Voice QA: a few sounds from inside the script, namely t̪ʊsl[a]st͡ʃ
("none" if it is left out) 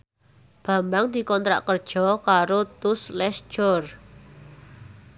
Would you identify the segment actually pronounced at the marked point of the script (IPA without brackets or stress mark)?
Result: ɛ